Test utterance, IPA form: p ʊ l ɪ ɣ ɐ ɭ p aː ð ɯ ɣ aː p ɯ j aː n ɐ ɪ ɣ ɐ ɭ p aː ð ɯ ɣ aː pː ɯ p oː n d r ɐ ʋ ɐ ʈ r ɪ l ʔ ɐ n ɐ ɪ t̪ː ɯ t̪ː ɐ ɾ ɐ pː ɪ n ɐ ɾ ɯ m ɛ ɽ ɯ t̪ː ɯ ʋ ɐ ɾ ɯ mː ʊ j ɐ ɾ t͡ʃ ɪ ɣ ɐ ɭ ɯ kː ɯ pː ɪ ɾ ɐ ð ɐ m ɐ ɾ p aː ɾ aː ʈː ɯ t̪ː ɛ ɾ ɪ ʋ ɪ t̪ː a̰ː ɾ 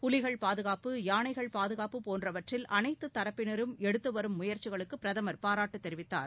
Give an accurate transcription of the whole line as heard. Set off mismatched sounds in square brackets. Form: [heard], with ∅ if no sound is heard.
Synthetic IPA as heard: p ʊ l ɪ ɣ ɐ ɭ p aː ð ɯ ɣ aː p ɯ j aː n ɐ ɪ ɣ ɐ ɭ p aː ð ɯ ɣ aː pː ɯ p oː n d r ɐ ʋ ɐ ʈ r ɪ l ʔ ɐ n ɐ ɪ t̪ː ɯ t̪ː ɐ ɾ ɐ pː ɪ n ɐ ɾ ɯ m ɛ ɽ ɯ t̪ː ɯ ʋ ɐ ɾ ɯ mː ʊ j ɐ ɾ t͡ʃ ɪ ɣ ɐ ɭ ɯ kː ɯ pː ɪ ɾ ɐ ð ɐ m ɐ ɾ p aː ɾ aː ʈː ɯ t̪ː ɛ ɾ ɪ ʋ ɪ t̪ː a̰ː ɾ